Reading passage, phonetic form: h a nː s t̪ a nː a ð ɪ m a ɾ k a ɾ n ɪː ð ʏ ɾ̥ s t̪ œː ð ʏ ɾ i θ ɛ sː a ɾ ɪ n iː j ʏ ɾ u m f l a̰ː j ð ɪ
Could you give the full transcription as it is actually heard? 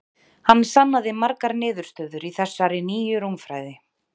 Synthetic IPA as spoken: h a nː s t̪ a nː a ð ɪ m a ɾ k a ɾ n ɪː ð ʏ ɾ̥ s t̪ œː ð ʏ ɾ i θ ɛ sː a ɾ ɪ n iː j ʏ ɾ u m f ɾ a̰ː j ð ɪ